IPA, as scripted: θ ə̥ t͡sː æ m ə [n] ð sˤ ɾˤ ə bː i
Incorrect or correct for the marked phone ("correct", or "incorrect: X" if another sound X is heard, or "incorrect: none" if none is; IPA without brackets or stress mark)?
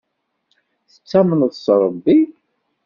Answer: correct